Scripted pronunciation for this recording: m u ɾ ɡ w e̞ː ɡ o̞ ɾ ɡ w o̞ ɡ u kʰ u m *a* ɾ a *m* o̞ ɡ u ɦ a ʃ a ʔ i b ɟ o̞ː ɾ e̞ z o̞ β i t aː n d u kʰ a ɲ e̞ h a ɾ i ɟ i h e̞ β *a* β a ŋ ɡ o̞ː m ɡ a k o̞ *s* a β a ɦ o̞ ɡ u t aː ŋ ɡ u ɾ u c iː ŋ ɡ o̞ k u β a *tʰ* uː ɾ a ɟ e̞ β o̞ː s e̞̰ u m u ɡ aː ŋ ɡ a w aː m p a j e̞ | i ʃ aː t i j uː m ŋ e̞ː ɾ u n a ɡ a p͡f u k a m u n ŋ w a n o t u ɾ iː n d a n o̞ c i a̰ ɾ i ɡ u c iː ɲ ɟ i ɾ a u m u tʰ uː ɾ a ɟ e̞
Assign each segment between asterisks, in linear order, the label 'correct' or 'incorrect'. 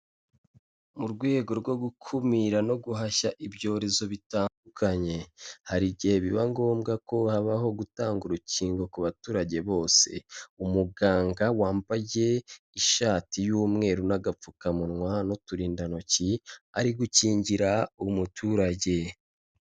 incorrect, incorrect, incorrect, incorrect, incorrect

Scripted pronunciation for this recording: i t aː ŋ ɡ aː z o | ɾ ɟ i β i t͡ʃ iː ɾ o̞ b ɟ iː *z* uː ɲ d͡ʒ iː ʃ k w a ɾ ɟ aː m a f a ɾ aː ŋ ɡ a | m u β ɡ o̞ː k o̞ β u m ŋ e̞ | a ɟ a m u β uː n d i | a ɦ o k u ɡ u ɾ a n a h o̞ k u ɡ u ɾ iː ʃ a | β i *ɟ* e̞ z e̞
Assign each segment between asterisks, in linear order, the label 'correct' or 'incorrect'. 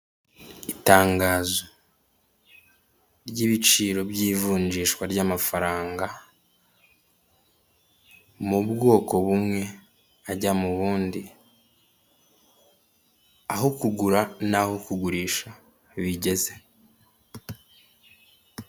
incorrect, correct

